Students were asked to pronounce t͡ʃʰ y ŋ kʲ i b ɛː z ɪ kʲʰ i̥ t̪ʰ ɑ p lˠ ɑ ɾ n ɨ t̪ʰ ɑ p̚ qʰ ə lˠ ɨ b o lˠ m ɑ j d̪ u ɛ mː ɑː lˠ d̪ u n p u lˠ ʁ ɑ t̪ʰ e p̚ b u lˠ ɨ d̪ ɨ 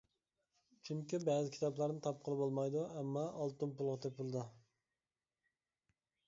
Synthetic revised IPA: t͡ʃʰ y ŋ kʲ i b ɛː z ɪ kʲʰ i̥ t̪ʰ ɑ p lˠ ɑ ɾ n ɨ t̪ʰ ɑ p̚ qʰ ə lˠ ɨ b o lˠ m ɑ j d̪ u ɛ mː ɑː lˠ t̪ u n p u lˠ ʁ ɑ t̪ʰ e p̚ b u lˠ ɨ d̪ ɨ